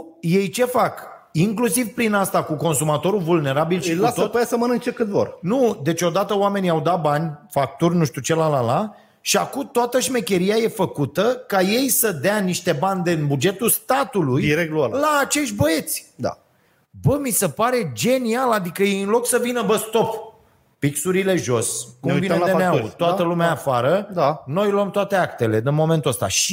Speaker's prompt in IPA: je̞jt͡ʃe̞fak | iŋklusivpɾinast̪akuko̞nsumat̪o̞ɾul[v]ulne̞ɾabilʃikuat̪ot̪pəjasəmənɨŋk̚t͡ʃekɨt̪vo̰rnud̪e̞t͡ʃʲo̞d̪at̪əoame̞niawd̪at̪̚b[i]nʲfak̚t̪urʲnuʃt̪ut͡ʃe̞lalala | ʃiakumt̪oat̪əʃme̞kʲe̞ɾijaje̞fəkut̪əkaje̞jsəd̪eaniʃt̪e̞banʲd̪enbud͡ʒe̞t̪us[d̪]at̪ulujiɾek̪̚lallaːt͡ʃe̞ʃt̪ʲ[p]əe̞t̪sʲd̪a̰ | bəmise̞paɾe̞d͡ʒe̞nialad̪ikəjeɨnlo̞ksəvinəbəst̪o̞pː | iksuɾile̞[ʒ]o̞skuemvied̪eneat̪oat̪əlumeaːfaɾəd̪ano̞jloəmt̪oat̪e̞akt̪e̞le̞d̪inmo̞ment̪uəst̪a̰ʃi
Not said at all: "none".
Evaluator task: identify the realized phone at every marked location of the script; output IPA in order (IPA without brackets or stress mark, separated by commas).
v, a, t̪, b, ʒ